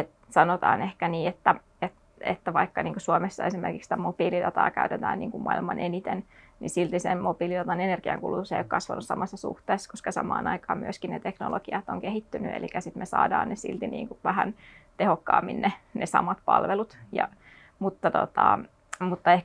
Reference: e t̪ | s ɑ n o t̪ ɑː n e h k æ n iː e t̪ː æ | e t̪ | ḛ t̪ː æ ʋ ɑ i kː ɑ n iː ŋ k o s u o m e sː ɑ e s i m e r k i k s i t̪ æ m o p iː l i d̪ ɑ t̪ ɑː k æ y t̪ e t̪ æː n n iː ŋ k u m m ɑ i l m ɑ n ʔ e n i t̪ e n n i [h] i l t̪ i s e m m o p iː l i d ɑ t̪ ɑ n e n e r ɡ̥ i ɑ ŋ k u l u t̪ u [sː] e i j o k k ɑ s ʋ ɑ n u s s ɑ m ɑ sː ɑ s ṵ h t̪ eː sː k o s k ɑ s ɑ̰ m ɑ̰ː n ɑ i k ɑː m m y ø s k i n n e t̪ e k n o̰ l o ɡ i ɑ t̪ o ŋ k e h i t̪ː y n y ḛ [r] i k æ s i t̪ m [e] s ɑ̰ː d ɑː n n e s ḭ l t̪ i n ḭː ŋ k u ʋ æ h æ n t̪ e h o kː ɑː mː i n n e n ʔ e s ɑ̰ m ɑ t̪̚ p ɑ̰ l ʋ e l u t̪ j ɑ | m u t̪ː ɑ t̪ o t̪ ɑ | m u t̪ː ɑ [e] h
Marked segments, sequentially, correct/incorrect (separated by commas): incorrect, incorrect, incorrect, correct, correct